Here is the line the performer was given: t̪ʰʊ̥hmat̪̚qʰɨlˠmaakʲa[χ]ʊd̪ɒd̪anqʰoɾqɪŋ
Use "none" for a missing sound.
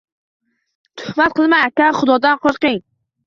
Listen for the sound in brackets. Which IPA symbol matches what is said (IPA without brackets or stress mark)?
χ